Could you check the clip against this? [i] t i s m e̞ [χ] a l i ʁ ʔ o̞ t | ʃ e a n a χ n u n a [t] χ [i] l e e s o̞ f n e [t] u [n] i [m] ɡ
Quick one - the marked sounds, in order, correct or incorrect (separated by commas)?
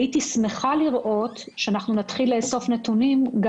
correct, correct, correct, correct, correct, correct, correct